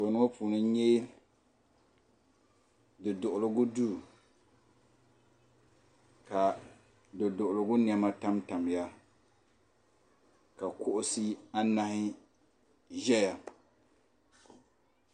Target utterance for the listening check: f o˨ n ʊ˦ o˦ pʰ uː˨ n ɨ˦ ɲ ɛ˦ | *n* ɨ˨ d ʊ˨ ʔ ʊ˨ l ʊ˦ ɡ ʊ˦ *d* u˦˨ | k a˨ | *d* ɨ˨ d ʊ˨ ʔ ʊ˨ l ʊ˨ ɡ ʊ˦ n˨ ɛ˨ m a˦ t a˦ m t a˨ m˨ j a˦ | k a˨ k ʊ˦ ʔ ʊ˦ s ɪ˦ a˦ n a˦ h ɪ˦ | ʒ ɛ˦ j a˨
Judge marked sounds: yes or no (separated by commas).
no, yes, yes